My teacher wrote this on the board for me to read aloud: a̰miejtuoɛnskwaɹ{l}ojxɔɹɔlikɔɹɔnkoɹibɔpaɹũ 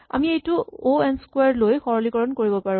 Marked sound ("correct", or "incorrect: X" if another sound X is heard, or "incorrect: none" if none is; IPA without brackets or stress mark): correct